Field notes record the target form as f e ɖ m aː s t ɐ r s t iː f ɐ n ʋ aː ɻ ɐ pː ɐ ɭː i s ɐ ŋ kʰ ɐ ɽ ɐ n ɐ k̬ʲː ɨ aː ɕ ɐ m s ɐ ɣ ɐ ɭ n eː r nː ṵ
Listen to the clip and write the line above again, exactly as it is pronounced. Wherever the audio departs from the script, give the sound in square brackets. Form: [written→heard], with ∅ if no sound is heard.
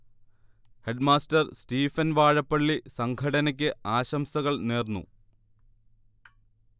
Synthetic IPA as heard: [f→h] e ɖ m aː s t ɐ r s t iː f ɐ n ʋ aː ɻ ɐ pː ɐ ɭː i s ɐ ŋ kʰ ɐ ɽ ɐ n ɐ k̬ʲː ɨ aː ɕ ɐ m s ɐ ɣ ɐ ɭ n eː r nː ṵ

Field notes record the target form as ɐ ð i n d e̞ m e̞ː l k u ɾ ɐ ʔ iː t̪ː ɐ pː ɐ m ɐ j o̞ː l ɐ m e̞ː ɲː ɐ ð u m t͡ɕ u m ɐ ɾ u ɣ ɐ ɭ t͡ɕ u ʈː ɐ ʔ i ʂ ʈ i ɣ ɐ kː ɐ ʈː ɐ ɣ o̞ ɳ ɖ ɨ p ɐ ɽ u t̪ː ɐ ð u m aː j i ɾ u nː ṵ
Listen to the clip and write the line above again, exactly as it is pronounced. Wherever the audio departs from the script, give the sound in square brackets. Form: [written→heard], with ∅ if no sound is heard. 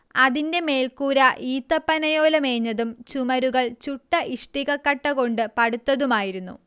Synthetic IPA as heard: ɐ ð i n d e̞ m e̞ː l k [u→uː] ɾ ɐ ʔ iː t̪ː ɐ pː ɐ [m→n] ɐ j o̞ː l ɐ m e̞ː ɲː ɐ ð u m t͡ɕ u m ɐ ɾ u ɣ ɐ ɭ t͡ɕ u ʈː ɐ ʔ i ʂ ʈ i ɣ ɐ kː ɐ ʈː ɐ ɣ o̞ ɳ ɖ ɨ p ɐ ɽ u t̪ː ɐ ð u m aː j i ɾ u nː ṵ

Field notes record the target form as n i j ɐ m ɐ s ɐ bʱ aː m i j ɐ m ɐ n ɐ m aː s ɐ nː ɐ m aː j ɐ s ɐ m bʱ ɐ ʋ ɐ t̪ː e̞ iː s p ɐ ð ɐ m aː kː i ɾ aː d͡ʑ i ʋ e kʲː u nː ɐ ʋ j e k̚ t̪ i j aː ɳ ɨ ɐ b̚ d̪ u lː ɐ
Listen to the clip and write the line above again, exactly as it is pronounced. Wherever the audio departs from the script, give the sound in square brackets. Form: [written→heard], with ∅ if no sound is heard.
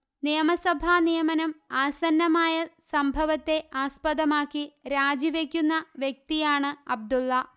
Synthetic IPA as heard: n i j ɐ m ɐ s ɐ bʱ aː [m→n] i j ɐ m ɐ n ɐ m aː s ɐ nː ɐ m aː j ɐ s ɐ m bʱ ɐ ʋ ɐ t̪ː e̞ [iː→aː] s p ɐ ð ɐ m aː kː i ɾ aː d͡ʑ i ʋ e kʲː u nː ɐ ʋ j e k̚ t̪ i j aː ɳ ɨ ɐ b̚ d̪ u lː ɐ

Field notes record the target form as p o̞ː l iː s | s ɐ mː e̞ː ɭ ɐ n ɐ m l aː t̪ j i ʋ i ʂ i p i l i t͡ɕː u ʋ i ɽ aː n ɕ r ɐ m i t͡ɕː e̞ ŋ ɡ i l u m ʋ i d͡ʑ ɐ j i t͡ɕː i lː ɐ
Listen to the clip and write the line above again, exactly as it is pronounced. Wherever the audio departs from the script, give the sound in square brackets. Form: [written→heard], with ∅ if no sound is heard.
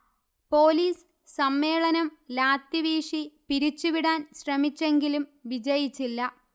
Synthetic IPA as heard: p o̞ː l iː s | s ɐ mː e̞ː ɭ ɐ n ɐ m l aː t̪ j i ʋ [i→iː] ʂ i p i [l→ɾ] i t͡ɕː u ʋ i ɽ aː n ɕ r ɐ m i t͡ɕː e̞ ŋ ɡ i l u m ʋ i d͡ʑ ɐ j i t͡ɕː i lː ɐ

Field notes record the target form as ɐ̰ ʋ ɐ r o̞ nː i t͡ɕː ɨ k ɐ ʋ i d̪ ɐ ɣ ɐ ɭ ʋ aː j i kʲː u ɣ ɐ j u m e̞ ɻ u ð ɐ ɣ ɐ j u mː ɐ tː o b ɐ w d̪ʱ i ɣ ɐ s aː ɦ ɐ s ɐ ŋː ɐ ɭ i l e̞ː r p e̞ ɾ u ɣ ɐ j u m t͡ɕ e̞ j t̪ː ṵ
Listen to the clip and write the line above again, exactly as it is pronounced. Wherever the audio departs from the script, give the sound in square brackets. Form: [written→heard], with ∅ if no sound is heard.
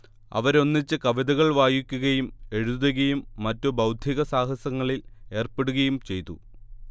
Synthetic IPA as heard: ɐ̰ ʋ ɐ [r→ɾ] o̞ nː i t͡ɕː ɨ k ɐ ʋ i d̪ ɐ ɣ ɐ ɭ ʋ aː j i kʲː u ɣ ɐ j u m e̞ ɻ u ð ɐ ɣ ɐ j u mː ɐ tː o b ɐ w d̪ʱ i ɣ ɐ s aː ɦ ɐ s ɐ ŋː ɐ ɭ i l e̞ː r p e̞ [ɾ→ɽ] u ɣ ɐ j u m t͡ɕ e̞ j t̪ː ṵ

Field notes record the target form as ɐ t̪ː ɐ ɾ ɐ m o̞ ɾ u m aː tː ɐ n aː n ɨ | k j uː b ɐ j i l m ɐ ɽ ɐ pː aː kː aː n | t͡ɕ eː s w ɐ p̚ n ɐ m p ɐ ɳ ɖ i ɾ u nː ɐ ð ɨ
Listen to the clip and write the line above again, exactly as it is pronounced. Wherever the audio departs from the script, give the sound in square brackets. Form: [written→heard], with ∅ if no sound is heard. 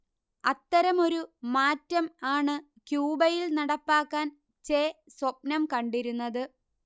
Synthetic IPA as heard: ɐ t̪ː ɐ ɾ ɐ m o̞ ɾ u m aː tː ɐ [n→m] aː [n→ɳ] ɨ | k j uː b ɐ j i l [m→n] ɐ ɽ ɐ pː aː kː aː n | t͡ɕ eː s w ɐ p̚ n ɐ m [p→k] ɐ ɳ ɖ i ɾ u nː ɐ ð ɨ

